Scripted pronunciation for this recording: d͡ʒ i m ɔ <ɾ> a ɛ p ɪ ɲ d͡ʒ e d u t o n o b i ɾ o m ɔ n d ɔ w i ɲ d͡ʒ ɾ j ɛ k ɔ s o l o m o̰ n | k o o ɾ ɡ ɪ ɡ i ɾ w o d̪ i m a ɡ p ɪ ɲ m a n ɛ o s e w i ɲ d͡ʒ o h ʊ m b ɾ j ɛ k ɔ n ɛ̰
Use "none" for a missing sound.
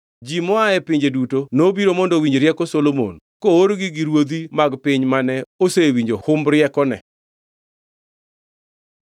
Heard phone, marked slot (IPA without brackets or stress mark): none